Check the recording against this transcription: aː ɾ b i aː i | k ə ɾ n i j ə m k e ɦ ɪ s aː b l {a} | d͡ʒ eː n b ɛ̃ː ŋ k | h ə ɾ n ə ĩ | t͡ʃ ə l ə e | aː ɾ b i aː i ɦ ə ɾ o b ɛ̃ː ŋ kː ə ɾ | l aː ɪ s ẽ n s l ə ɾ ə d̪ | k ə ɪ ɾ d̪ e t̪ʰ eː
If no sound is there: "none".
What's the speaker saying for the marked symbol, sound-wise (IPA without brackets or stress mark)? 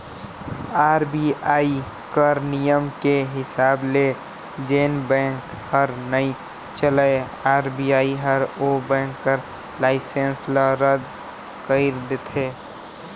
e